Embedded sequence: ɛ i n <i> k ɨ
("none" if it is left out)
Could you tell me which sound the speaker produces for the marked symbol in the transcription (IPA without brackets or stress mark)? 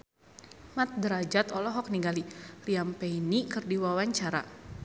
i